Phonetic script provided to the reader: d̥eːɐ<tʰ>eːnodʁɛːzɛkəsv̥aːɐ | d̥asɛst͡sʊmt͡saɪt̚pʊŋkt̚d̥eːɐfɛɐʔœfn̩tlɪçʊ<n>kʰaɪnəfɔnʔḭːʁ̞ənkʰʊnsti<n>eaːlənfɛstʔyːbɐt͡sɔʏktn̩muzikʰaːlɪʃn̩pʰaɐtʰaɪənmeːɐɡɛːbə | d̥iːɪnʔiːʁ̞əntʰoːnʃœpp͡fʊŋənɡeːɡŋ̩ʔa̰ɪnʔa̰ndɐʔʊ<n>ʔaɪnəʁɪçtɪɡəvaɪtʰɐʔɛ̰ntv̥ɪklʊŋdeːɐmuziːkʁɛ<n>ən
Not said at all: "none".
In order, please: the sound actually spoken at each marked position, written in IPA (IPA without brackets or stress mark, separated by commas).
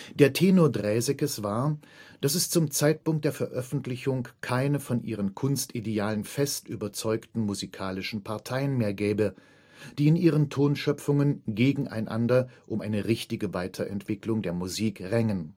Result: tʰ, ŋ, d, m, ŋ